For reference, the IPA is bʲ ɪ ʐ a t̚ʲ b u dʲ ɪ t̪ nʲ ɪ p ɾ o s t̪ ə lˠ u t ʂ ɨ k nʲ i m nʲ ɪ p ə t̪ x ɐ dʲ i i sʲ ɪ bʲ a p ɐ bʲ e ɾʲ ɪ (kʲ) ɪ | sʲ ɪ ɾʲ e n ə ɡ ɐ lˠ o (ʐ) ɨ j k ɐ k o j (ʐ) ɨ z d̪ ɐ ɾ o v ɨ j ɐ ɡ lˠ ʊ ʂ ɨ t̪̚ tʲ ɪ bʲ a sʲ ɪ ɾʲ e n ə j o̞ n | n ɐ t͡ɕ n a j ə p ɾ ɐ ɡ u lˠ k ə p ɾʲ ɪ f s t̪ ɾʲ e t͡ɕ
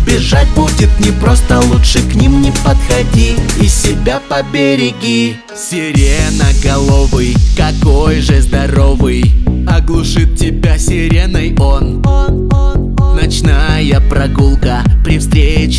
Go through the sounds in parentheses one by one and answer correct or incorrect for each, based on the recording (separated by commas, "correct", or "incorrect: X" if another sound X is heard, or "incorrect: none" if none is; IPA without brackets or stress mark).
incorrect: ɡʲ, incorrect: v, correct